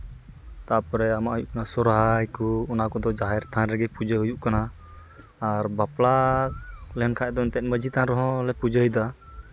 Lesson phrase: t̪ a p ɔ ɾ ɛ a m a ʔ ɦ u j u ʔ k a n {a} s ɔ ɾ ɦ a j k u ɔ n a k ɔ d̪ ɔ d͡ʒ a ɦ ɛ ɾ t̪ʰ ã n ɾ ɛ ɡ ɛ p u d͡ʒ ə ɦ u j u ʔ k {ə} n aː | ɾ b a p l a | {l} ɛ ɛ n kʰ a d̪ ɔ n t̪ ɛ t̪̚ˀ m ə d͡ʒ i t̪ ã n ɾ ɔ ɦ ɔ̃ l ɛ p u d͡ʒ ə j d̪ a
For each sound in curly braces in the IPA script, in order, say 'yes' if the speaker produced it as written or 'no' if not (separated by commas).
yes, no, yes